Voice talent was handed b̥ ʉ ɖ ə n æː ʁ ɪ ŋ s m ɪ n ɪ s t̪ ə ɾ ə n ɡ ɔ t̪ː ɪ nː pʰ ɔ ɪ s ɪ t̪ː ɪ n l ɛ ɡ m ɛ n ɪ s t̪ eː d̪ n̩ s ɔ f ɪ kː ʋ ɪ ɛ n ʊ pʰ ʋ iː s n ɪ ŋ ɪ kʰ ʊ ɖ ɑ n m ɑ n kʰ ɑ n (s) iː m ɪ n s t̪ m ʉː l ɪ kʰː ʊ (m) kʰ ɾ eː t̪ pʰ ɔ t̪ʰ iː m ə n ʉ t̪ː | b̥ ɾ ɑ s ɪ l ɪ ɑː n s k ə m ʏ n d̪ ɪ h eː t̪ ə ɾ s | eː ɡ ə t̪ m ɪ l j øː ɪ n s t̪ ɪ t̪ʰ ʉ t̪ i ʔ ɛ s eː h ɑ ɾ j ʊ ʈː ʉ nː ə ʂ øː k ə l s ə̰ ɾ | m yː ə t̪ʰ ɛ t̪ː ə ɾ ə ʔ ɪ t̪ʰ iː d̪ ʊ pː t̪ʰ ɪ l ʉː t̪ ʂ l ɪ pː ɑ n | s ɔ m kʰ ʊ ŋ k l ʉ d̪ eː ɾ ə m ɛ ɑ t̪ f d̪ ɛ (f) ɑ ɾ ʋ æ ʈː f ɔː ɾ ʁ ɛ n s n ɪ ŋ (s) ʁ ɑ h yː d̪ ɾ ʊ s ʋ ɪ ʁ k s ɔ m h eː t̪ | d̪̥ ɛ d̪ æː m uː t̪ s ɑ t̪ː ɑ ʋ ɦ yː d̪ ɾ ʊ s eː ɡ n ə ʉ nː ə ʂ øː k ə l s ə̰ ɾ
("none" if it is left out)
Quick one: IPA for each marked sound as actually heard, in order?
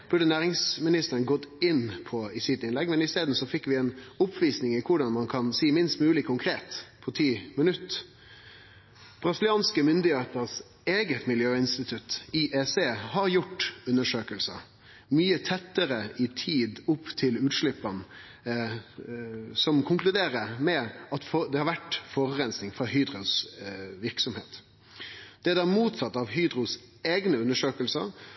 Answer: s, ŋ, h, f

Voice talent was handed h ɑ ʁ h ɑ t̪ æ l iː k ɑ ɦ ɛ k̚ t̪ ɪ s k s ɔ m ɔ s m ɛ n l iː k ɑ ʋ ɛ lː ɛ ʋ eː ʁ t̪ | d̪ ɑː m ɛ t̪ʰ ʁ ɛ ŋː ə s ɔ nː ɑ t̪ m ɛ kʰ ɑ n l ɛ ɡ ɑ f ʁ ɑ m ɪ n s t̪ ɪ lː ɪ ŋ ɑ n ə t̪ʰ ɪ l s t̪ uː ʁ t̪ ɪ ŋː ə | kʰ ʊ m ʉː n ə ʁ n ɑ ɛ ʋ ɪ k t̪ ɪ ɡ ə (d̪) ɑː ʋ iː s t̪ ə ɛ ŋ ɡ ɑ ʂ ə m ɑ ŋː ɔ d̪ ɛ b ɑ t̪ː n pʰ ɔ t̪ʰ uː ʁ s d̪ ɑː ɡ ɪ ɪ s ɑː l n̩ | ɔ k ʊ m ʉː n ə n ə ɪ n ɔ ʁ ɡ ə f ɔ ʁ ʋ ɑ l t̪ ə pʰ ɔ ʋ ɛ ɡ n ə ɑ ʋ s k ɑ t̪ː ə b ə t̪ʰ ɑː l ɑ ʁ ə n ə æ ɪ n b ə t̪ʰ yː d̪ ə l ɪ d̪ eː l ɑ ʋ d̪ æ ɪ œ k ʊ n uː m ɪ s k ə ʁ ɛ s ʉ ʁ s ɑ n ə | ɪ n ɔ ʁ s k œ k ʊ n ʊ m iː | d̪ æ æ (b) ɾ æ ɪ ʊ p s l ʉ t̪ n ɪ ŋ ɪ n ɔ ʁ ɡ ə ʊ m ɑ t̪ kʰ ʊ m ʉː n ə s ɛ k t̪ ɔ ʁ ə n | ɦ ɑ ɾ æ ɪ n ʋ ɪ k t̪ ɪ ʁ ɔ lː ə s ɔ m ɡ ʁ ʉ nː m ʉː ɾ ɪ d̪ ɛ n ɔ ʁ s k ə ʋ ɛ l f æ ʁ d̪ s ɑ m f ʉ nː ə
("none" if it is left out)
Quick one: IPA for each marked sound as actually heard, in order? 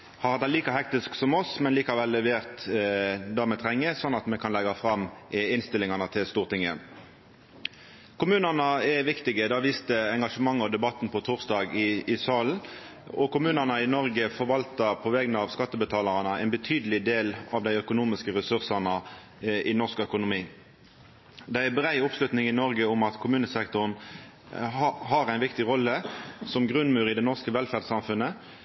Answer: d̪, b

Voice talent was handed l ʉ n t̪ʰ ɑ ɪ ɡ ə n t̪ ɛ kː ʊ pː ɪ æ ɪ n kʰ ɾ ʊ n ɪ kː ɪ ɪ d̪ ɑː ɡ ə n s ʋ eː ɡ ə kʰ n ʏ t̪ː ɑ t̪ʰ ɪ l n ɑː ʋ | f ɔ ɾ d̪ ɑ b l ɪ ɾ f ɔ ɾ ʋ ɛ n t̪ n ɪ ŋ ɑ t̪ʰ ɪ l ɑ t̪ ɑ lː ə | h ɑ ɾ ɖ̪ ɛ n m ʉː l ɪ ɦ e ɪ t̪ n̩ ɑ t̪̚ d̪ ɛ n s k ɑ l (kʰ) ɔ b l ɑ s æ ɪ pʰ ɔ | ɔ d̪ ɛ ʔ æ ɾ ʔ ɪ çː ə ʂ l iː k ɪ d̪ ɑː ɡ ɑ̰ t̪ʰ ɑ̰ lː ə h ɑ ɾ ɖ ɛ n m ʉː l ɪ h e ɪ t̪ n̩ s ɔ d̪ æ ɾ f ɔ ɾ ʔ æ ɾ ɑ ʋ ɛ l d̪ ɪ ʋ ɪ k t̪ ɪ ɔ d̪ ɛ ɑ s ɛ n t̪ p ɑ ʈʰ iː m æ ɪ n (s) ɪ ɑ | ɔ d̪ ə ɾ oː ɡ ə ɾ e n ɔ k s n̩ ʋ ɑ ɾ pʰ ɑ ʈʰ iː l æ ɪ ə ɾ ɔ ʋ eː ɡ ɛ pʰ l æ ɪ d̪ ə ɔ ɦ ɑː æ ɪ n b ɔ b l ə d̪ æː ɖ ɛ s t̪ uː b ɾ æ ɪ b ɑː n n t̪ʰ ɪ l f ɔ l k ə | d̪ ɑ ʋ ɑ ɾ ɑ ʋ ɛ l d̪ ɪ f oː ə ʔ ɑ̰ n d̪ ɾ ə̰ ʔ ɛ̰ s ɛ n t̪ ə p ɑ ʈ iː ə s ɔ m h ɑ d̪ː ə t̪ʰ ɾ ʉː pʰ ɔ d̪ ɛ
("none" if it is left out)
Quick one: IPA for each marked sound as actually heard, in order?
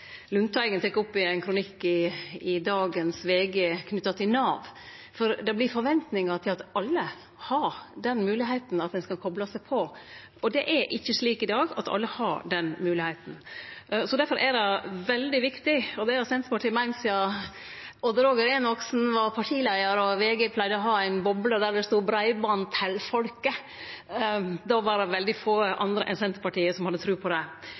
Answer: kʰ, s

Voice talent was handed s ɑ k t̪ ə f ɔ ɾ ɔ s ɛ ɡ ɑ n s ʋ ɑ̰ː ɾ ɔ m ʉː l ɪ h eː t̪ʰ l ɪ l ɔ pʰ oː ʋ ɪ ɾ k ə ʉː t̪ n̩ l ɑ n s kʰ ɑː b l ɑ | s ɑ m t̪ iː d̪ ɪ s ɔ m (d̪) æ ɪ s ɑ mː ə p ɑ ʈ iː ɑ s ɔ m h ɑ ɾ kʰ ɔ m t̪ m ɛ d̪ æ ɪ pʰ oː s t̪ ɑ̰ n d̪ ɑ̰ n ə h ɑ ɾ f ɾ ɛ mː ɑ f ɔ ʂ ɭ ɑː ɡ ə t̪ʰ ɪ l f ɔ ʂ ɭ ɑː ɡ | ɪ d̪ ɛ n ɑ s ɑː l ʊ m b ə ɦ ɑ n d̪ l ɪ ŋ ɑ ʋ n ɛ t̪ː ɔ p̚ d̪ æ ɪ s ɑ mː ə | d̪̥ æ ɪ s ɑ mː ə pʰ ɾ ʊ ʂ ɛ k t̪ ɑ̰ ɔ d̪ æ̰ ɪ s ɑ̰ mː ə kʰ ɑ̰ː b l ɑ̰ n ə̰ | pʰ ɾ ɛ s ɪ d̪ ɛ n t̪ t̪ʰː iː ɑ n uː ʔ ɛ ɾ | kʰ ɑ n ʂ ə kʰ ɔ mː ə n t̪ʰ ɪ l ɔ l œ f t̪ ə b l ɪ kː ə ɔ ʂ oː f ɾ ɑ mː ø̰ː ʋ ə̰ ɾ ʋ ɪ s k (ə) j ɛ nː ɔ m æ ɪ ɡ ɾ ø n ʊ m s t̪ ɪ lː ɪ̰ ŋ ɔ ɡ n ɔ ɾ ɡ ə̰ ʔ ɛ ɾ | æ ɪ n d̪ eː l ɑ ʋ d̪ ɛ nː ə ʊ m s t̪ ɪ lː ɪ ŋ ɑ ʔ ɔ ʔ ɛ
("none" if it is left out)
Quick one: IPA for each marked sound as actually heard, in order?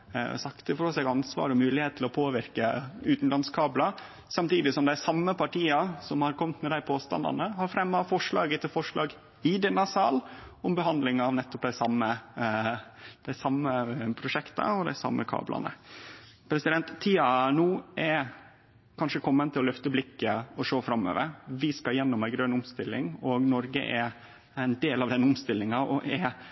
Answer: d̪, ɑ

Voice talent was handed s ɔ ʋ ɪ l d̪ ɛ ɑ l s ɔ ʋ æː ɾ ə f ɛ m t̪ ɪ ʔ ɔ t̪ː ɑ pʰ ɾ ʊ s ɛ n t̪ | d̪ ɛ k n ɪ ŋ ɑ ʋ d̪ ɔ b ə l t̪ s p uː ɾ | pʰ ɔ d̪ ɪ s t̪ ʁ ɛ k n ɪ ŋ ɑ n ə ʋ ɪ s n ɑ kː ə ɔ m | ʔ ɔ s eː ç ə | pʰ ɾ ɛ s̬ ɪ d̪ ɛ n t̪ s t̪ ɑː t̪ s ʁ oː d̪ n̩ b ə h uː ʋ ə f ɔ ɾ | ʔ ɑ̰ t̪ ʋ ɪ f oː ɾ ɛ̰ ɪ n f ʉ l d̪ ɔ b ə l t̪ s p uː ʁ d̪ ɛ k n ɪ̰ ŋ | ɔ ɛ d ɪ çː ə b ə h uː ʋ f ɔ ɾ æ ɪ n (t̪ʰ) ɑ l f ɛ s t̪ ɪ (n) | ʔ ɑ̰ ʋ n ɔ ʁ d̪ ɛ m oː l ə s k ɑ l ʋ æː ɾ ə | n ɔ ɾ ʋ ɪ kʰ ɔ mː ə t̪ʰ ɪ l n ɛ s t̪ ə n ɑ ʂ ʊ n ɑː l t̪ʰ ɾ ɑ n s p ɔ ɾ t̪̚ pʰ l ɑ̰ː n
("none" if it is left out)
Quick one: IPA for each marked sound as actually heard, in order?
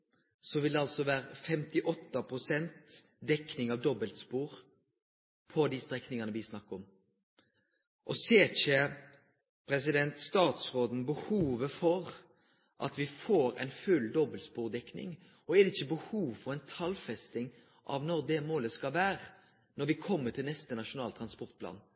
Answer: t̪ʰ, ŋ

